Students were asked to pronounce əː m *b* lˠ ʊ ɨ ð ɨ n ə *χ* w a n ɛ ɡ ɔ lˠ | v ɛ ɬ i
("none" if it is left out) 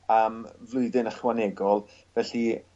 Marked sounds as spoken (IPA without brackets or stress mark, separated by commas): v, χ